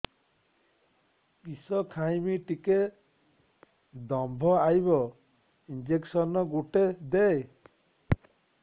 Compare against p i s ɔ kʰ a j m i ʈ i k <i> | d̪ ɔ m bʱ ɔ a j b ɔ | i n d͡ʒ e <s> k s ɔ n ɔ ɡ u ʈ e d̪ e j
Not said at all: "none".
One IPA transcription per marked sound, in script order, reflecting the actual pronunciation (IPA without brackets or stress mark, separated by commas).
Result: e, none